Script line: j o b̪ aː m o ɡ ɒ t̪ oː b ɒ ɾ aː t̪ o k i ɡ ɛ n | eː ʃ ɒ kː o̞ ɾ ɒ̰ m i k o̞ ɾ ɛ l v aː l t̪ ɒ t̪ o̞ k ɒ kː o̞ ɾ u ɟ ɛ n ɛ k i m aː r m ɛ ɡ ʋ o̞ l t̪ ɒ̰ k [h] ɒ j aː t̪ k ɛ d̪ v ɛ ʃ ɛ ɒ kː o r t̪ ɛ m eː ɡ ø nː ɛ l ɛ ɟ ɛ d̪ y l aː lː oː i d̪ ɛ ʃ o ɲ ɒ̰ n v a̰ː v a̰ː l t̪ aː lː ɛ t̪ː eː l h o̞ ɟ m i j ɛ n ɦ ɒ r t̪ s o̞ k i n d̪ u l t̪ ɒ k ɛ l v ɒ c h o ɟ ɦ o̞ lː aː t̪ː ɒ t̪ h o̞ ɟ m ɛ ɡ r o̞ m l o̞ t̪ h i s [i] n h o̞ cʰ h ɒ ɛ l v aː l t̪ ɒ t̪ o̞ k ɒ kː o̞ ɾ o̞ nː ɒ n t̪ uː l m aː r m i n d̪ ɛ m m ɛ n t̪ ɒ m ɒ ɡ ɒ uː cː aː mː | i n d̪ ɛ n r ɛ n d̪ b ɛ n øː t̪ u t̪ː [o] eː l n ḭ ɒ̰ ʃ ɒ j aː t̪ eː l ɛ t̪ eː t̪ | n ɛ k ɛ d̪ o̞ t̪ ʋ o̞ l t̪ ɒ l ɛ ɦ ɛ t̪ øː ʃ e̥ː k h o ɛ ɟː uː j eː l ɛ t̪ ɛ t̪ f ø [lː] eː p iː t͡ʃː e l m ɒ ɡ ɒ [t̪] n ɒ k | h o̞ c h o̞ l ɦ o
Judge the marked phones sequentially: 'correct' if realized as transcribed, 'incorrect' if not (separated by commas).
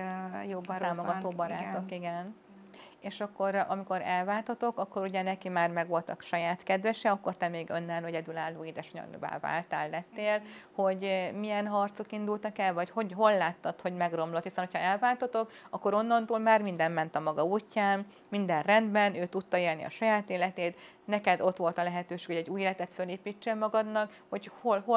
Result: incorrect, incorrect, incorrect, incorrect, incorrect